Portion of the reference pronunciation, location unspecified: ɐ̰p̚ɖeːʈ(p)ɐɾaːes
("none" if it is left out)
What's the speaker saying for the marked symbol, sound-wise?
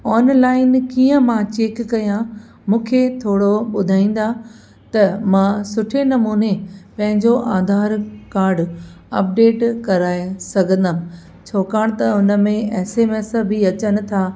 k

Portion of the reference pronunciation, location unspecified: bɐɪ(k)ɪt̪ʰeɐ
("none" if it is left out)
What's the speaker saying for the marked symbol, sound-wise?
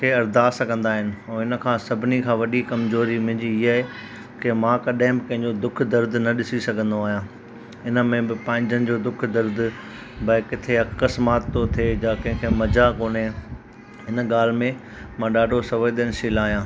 k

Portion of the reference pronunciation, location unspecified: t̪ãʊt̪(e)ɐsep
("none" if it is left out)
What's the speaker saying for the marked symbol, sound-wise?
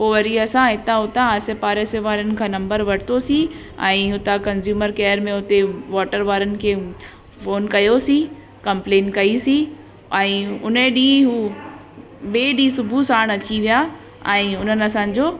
a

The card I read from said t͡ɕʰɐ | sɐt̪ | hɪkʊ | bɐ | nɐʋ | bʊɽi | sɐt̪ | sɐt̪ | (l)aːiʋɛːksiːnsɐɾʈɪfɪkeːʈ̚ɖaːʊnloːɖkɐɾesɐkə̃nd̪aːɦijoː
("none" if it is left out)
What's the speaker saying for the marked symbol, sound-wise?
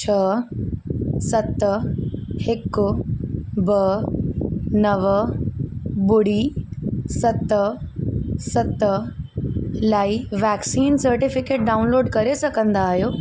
l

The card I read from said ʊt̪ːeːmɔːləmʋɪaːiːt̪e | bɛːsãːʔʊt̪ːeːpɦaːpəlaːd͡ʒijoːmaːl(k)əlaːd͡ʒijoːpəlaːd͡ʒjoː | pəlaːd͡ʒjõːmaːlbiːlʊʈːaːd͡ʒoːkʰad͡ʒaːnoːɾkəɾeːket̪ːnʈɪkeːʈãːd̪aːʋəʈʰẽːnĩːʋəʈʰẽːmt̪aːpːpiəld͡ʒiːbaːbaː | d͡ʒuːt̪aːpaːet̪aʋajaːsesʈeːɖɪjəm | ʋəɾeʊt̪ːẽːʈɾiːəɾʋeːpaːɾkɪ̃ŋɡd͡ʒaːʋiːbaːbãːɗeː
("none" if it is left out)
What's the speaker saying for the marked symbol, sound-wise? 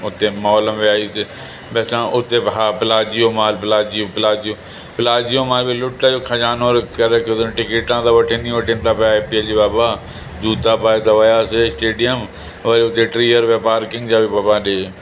p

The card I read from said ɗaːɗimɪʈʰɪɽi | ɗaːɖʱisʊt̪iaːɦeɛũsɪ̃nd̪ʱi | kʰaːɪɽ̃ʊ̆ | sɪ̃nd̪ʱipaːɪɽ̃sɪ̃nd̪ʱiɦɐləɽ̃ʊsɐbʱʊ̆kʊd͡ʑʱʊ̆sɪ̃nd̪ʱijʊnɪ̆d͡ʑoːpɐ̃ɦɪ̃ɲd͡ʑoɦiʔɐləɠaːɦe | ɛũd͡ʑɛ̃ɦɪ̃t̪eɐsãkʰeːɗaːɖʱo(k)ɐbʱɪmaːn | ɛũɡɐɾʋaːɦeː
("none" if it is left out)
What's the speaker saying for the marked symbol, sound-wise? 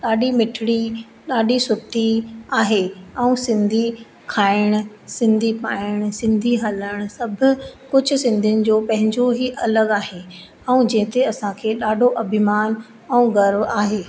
ʔ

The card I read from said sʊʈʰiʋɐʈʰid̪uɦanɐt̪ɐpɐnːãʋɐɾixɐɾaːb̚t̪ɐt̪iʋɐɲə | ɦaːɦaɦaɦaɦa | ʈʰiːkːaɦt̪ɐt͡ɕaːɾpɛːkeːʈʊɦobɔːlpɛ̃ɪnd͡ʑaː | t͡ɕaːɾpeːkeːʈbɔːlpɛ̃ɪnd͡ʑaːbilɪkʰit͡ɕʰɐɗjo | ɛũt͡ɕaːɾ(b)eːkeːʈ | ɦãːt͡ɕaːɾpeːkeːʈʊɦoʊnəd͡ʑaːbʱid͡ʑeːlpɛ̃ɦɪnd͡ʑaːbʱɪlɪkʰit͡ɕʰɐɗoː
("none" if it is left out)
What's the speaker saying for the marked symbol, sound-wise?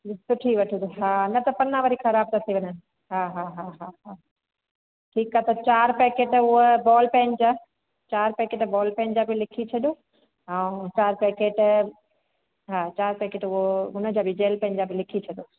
p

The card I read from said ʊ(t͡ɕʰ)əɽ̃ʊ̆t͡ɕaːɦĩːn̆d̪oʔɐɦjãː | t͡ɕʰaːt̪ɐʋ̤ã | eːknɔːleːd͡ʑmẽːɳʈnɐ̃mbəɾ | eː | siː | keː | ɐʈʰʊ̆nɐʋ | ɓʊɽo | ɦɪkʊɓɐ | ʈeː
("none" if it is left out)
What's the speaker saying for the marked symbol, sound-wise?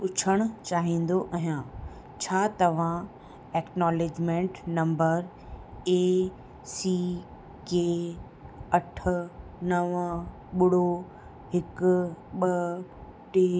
t͡ɕʰ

